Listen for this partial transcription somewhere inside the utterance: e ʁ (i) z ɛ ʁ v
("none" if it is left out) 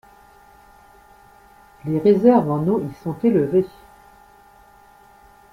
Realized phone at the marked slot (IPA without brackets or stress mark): e